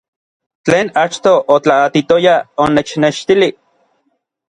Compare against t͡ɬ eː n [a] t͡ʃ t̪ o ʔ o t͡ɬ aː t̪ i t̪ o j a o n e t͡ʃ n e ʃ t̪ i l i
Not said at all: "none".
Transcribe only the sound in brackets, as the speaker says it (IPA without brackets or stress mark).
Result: a